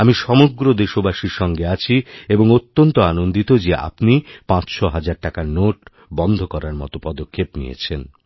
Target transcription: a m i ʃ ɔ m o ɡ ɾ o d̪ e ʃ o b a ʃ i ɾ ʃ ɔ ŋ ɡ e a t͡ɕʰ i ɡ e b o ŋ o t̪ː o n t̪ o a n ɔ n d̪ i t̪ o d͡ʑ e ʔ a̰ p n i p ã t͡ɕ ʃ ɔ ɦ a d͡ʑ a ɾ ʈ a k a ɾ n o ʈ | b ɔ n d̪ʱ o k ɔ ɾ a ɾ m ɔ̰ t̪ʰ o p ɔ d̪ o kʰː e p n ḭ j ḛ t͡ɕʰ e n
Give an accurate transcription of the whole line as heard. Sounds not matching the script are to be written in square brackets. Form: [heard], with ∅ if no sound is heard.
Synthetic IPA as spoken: a m i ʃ ɔ m o ɡ ɾ o d̪ e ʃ o b a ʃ i ɾ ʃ ɔ ŋ ɡ e a t͡ɕʰ i [∅] e b o ŋ o t̪ː o n t̪ o a n [o] n d̪ i t̪ o d͡ʑ e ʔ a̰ p n i p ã t͡ɕ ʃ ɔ ɦ a d͡ʑ a ɾ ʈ a k a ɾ n o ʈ | b ɔ n d̪ʱ o k ɔ ɾ a ɾ m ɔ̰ [t̪] o p ɔ d̪ o kʰː e p n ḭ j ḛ t͡ɕʰ e n